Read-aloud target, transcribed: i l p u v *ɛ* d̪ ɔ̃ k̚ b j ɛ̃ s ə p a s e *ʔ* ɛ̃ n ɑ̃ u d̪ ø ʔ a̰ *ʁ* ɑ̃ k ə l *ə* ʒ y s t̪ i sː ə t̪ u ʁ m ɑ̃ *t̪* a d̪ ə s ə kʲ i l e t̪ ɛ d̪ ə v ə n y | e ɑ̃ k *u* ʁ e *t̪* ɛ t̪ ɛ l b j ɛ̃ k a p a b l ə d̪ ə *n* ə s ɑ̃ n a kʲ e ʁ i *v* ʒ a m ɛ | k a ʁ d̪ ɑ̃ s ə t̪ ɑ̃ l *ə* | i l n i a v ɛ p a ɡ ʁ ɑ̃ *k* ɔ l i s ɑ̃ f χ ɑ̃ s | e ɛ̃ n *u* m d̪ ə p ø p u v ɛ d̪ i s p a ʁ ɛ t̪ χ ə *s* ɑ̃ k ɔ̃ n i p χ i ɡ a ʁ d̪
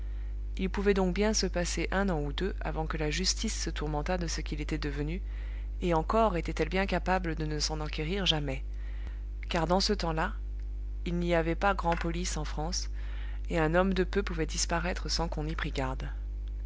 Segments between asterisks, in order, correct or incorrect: correct, correct, incorrect: v, incorrect: a, correct, incorrect: ɔ, correct, correct, incorrect: ʁ, incorrect: a, incorrect: p, incorrect: ɔ, correct

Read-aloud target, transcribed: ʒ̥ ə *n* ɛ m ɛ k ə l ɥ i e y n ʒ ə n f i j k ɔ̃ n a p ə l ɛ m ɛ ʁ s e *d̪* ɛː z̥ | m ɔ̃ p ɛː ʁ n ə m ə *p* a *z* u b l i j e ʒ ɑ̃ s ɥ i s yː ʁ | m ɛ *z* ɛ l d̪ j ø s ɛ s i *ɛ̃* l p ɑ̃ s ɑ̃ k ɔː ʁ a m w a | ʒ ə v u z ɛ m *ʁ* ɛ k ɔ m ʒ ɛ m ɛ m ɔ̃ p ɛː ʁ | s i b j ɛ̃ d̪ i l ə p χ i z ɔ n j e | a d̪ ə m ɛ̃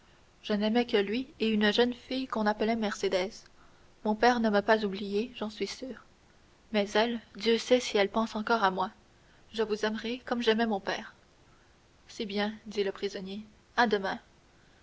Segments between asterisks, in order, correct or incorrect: correct, correct, correct, correct, correct, incorrect: ɛ, correct

